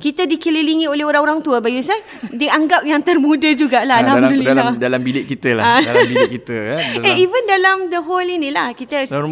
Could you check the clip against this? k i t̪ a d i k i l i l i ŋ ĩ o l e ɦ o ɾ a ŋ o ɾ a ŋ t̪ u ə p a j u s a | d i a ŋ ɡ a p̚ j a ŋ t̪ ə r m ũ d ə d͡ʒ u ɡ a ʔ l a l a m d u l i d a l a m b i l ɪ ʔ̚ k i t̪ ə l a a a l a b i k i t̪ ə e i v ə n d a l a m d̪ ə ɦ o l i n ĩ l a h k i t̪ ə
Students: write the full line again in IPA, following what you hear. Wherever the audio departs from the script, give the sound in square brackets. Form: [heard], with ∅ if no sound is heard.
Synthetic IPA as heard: k i t̪ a d i k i l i l i ŋ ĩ o l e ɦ o ɾ a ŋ o ɾ a ŋ t̪ u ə [b] a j u s a | d i a ŋ ɡ a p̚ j a ŋ t̪ ə r m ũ d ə d͡ʒ u ɡ a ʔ l a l a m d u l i d a l a m b i l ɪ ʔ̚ k i t̪ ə l a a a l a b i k i t̪ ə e i v ə n d a l a m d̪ ə ɦ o l i n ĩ l a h k i t̪ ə